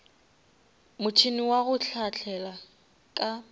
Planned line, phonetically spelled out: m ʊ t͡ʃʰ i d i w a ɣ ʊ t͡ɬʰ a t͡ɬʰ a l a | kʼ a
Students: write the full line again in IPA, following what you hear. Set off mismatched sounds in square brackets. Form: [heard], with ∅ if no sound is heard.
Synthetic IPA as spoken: m ʊ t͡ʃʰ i [n] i w a ɣ ʊ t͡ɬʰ a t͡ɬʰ [ɛ] l a | kʼ a